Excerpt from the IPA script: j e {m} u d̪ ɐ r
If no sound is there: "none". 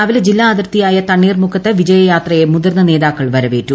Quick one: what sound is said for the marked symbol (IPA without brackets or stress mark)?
m